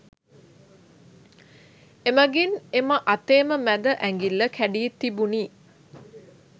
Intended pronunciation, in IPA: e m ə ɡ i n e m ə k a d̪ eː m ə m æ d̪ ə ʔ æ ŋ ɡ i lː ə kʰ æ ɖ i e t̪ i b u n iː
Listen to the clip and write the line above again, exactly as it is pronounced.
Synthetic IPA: e m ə ɡ i n e m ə ʔ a t̪ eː m ə m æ d̪ ə ʔ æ ŋ ɡ i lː ə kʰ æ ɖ i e t̪ i b u n iː